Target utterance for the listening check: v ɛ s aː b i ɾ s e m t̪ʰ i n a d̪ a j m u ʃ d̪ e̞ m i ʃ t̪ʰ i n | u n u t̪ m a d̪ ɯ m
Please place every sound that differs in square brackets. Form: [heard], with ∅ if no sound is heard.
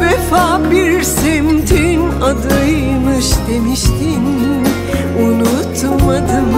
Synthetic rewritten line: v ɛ [f] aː b i ɾ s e m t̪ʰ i n a d̪ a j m [ɯ] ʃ d̪ e̞ m i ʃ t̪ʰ i n | u n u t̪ m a d̪ ɯ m